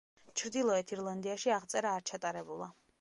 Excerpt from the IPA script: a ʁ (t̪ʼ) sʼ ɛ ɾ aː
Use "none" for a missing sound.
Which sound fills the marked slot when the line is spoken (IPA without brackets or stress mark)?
t̪